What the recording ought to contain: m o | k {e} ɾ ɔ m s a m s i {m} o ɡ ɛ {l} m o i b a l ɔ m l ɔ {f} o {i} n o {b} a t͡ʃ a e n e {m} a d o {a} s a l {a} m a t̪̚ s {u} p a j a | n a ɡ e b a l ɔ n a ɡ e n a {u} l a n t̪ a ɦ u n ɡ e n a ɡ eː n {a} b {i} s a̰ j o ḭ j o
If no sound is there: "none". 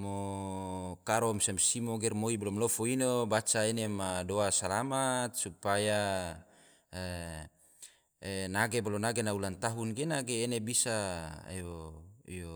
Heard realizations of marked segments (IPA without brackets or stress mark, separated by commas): a, m, r, f, i, b, m, a, a, u, u, e, i